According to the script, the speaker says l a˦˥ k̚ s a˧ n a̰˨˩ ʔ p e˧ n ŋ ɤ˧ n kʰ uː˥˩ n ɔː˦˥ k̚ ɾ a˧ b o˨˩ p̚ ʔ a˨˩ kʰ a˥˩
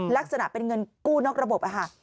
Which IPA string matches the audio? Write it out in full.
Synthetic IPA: l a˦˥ k̚ s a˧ n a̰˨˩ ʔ p e˧ n ŋ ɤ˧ n k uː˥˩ n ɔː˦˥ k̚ ɾ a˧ b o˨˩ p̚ ʔ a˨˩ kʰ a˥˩

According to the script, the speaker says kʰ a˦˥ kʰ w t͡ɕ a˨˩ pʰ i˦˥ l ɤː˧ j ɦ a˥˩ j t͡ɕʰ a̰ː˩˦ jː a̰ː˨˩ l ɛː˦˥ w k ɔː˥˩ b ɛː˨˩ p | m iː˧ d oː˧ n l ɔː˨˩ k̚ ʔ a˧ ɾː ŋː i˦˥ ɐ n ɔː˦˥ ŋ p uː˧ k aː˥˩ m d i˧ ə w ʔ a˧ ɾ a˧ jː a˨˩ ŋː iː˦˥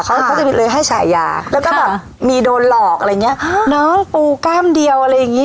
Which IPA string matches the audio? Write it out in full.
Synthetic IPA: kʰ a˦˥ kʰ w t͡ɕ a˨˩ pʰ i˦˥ l ɤː˧ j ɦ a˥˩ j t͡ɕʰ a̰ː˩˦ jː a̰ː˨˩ l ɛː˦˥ w k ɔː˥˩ b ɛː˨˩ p | m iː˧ d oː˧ n l ɔː˨˩ k̚ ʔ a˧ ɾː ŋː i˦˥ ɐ n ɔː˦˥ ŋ p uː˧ k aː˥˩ m d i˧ ə w ʔ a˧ ɾ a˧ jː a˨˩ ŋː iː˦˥

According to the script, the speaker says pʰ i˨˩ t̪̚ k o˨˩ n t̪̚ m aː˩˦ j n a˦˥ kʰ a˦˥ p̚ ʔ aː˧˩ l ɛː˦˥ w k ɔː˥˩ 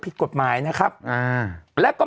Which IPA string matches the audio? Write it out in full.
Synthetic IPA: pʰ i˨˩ t̪̚ k o˨˩ t̪̚ m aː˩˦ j n a˦˥ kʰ a˦˥ p̚ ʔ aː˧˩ l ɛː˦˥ w k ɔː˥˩

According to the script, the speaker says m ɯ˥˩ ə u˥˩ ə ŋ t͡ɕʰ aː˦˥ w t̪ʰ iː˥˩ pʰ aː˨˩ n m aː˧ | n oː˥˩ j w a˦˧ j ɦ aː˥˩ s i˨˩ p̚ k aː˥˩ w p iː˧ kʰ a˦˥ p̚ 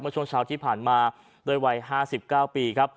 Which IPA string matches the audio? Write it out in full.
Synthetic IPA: m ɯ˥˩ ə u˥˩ ə ŋ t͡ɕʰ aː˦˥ w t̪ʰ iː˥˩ pʰ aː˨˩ n m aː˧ | d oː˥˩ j w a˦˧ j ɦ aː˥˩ s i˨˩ p̚ k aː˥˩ w p iː˧ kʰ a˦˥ p̚

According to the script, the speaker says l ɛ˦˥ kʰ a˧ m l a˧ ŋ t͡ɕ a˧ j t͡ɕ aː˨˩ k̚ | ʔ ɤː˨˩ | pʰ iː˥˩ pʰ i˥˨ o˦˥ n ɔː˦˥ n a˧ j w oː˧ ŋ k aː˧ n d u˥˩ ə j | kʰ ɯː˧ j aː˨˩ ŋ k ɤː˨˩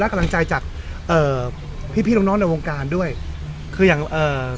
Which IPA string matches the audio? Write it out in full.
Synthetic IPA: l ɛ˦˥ k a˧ m l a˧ ŋ t͡ɕ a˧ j t͡ɕ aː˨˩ k̚ | ʔ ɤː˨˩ | pʰ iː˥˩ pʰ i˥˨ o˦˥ n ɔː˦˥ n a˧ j w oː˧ ŋ k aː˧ n d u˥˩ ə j | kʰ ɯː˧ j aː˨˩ ŋ ʔ ɤː˨˩

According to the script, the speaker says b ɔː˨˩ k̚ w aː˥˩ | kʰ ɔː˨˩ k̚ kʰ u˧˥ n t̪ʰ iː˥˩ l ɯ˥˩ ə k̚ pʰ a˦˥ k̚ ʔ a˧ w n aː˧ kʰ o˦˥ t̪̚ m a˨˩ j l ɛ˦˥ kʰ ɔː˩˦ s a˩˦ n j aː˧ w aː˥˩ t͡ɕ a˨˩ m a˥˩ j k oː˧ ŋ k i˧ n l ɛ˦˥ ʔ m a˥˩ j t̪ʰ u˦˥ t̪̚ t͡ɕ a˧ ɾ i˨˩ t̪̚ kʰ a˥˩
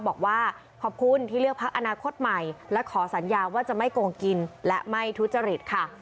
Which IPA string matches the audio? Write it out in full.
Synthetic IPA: b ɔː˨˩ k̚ w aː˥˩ | kʰ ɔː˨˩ p̚ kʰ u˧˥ n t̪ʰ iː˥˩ l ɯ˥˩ ə k̚ pʰ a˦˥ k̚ ʔ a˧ n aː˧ kʰ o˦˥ t̪̚ m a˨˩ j l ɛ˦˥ kʰ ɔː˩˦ s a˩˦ n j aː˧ w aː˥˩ t͡ɕ a˨˩ m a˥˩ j k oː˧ ŋ k i˧ n l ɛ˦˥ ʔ m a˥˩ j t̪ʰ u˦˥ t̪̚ t͡ɕ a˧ ɾ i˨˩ t̪̚ kʰ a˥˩

